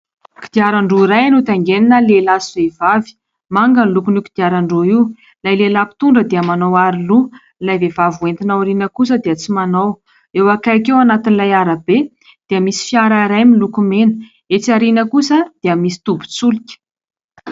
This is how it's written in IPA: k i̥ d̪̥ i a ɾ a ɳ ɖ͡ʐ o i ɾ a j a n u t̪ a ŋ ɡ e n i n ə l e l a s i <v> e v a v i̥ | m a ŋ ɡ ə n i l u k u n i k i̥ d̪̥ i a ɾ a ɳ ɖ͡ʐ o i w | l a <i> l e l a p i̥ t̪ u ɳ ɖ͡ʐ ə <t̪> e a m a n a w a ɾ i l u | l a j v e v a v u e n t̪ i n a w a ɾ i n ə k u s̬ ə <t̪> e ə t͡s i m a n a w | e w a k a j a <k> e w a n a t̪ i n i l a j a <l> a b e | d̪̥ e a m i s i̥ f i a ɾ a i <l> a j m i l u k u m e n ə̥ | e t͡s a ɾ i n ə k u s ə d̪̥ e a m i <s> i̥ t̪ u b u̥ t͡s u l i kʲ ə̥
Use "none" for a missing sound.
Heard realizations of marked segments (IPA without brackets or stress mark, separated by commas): v, j, d̪, d̪, k, ɾ, ɾ, s